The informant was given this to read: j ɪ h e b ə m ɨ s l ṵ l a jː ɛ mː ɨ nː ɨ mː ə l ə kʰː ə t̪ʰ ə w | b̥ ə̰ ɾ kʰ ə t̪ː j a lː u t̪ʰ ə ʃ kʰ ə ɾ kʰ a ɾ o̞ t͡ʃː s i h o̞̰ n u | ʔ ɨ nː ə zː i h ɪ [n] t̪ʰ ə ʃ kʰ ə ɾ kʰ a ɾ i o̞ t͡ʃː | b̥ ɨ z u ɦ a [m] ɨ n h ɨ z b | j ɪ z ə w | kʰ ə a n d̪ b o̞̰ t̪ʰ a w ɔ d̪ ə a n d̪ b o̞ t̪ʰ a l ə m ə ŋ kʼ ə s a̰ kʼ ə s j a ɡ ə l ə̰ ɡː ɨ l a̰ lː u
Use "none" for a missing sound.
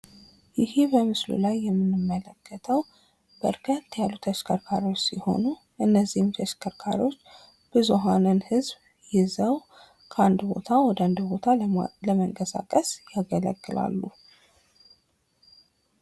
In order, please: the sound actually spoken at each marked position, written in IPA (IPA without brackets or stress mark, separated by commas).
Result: m, n